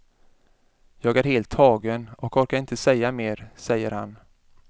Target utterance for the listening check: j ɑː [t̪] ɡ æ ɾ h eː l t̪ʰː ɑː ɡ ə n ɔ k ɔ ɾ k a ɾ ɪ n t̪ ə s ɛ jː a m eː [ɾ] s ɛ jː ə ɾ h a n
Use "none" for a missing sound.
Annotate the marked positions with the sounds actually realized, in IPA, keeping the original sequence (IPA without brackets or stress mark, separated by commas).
none, ɾ